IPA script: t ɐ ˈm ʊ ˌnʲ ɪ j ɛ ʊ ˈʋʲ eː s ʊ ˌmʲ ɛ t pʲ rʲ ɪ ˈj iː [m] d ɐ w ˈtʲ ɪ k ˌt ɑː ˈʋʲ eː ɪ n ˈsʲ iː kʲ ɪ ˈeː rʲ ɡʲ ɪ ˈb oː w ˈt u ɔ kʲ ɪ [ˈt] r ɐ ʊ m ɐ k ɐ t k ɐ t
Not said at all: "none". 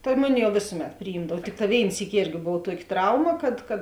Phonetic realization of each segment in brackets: m, t

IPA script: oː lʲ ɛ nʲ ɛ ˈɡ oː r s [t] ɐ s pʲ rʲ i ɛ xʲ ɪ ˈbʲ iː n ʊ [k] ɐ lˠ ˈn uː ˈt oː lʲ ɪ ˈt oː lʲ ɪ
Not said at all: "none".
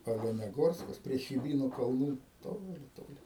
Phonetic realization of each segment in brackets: k, k

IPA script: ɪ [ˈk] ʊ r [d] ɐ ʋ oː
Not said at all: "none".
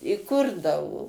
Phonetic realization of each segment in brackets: k, d

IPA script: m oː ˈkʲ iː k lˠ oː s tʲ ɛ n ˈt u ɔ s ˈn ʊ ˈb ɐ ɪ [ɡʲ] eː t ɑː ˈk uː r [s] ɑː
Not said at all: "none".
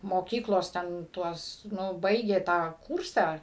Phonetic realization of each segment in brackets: ɡʲ, s

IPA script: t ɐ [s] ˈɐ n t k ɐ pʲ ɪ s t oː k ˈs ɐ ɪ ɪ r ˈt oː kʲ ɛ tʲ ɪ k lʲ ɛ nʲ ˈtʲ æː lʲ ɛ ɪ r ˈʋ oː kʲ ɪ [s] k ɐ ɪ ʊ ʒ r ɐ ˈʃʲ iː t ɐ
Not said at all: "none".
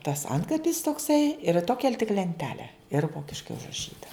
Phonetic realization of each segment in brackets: s, ʃ

